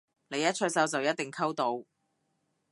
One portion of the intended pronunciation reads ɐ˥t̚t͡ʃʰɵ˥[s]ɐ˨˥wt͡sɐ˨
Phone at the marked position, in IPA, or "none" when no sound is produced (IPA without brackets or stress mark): s